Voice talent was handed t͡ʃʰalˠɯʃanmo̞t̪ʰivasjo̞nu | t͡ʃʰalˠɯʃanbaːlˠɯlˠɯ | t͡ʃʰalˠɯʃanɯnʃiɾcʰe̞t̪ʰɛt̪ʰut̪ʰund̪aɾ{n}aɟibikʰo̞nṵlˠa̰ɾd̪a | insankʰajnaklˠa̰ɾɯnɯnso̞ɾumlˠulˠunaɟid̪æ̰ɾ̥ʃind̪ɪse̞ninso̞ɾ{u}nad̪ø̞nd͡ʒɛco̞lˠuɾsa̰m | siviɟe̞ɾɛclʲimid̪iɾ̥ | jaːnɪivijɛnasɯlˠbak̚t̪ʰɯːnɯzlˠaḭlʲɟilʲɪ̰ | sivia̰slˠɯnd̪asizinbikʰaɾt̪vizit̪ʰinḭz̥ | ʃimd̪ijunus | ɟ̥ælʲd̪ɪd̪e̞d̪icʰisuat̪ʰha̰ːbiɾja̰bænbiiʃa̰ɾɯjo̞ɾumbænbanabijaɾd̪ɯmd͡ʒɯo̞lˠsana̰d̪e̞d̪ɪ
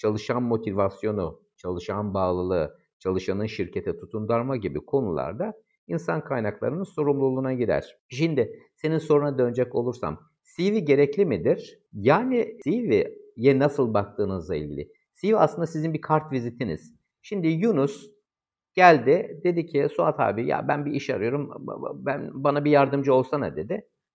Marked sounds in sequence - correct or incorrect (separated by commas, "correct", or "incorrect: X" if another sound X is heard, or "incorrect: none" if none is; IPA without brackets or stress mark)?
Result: incorrect: m, correct